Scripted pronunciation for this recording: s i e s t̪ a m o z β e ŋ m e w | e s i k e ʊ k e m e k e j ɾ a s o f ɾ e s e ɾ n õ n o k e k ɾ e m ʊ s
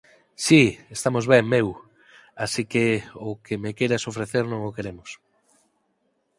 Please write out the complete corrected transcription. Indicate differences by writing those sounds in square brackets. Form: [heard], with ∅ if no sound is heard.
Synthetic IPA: s i e s t̪ a m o z β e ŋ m e w | [a] s i k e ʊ k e m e k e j ɾ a s o f ɾ e [θ] e ɾ n õ [ŋ] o k e [∅] ɾ e m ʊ s